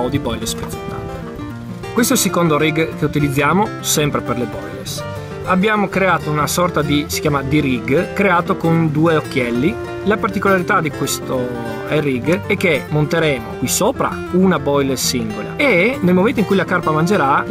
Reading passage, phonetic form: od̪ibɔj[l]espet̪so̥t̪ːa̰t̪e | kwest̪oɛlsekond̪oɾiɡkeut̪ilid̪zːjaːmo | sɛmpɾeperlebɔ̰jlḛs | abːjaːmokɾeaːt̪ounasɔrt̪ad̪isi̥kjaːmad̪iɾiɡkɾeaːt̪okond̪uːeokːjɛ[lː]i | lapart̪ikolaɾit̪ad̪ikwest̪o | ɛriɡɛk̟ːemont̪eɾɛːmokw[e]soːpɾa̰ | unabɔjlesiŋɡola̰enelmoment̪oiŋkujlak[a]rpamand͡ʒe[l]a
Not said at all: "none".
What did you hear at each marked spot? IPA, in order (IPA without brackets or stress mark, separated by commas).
l, lː, i, a, ɾ